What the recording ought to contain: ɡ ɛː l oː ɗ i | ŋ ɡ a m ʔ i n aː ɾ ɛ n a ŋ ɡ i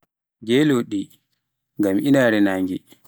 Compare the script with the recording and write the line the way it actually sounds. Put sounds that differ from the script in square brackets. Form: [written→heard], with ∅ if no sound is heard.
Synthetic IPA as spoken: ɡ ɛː l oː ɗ i | ŋ ɡ a m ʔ i n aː ɾ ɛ n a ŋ ɡ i